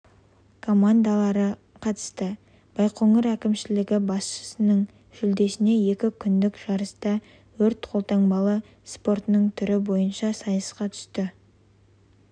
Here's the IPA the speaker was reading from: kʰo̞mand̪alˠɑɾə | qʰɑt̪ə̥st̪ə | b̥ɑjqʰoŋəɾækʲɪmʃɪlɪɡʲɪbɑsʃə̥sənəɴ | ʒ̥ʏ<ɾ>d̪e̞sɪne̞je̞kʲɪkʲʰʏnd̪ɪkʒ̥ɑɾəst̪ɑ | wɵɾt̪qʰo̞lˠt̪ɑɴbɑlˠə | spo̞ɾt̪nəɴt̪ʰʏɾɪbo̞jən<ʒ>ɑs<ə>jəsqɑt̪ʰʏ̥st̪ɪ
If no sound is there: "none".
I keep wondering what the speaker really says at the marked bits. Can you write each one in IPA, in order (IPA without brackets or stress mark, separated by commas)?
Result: l, ʃ, ɑ